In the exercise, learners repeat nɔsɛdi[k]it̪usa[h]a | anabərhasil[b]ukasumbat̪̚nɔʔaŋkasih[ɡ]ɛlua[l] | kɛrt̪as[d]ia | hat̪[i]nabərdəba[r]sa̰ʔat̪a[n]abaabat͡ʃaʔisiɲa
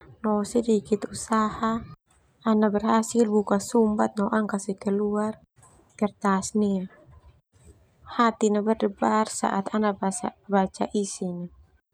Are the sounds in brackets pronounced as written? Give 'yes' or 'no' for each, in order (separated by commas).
yes, yes, yes, no, no, no, yes, yes, yes